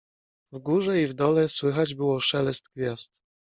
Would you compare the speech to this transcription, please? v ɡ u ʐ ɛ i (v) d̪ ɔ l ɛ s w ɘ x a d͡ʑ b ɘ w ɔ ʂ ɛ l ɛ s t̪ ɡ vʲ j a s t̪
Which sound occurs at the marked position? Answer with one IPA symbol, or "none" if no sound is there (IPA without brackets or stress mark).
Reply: v